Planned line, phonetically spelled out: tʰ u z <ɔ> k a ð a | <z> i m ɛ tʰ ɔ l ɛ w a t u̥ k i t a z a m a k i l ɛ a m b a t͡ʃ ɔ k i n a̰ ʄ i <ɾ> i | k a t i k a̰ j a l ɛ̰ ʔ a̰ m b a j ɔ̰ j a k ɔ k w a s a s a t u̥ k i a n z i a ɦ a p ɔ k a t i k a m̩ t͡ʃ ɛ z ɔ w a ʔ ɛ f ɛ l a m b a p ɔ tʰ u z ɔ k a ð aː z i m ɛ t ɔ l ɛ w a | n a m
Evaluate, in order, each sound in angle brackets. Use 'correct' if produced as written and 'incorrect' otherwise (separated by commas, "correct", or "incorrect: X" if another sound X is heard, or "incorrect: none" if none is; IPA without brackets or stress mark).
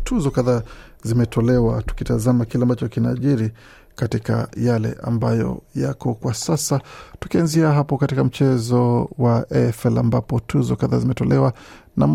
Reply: correct, correct, correct